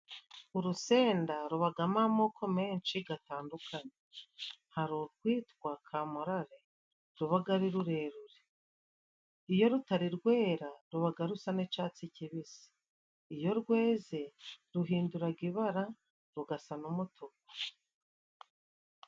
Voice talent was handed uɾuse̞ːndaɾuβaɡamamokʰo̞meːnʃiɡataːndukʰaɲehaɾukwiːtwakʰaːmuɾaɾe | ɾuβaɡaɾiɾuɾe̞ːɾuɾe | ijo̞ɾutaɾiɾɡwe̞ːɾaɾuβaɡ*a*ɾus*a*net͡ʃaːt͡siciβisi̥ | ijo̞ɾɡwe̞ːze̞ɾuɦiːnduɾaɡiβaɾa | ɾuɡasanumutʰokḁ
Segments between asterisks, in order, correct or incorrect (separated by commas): correct, correct